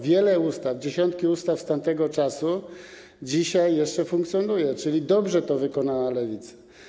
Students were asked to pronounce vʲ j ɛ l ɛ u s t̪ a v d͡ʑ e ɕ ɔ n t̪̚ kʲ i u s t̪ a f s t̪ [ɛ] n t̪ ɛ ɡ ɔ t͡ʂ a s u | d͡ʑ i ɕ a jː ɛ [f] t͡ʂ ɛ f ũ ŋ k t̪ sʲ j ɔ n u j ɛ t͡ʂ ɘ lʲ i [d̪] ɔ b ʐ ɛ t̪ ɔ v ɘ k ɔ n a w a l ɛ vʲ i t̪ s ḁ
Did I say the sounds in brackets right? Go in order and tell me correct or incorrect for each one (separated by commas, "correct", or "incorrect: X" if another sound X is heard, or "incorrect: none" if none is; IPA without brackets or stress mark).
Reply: incorrect: a, incorrect: ʂ, correct